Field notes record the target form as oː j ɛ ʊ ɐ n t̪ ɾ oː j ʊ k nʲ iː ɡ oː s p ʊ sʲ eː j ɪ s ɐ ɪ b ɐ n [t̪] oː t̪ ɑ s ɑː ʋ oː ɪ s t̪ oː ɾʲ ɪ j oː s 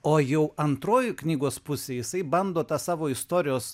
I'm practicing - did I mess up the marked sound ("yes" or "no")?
yes